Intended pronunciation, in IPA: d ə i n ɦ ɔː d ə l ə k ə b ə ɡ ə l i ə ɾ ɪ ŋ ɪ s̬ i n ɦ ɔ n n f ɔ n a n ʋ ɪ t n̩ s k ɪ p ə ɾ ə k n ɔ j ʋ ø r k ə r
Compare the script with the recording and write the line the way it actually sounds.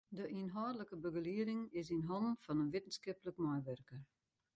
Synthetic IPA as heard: d ə i n ɦ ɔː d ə l ə k ə b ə ɡ ə l i ə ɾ ɪ ŋ ɪ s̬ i n ɦ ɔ n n f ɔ n ə n ʋ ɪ t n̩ s k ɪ p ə l ə k m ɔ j ʋ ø r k ə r